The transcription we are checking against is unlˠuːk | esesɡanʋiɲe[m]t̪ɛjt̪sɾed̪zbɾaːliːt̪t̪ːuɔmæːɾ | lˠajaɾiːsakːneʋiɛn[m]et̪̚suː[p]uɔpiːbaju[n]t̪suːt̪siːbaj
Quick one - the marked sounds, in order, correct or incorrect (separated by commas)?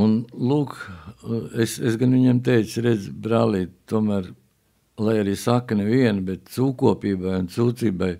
correct, incorrect, incorrect, correct